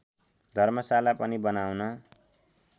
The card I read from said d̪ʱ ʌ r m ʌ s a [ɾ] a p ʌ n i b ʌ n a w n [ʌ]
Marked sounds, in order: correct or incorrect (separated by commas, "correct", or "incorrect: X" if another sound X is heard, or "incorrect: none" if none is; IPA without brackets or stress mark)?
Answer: incorrect: l, correct